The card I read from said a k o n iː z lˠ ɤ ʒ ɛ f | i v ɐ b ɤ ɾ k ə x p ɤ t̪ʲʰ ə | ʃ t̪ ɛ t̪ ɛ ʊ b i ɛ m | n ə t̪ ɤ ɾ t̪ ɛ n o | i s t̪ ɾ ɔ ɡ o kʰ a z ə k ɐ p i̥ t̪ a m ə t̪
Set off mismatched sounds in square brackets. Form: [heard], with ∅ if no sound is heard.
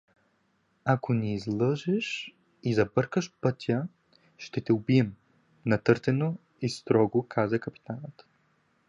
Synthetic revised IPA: a k o n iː z lˠ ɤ ʒ ɛ [ʃ] | i [z] ɐ b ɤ ɾ k ə [ʃ] p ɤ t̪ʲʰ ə | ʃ t̪ ɛ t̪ ɛ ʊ b i ɛ m | n [ɐ] t̪ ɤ ɾ t̪ ɛ n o | i s t̪ ɾ ɔ ɡ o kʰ a z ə k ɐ p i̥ t̪ a [n] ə t̪